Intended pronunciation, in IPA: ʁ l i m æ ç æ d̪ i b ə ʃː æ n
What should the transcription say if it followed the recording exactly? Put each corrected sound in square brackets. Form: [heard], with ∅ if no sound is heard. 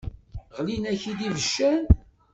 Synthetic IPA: ʁ l i [n] æ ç [i] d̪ i [v] ə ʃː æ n